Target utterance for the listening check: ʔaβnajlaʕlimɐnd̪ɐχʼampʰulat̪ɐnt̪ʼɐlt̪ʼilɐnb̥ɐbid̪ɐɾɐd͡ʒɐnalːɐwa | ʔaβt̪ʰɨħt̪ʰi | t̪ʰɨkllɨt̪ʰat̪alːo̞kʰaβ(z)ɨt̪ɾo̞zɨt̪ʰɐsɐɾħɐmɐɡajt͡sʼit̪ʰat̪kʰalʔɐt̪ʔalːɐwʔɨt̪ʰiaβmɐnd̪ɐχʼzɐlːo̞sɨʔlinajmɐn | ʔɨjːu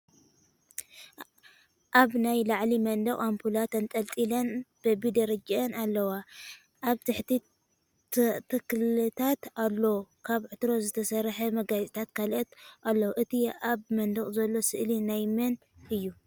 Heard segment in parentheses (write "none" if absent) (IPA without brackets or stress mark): ʕ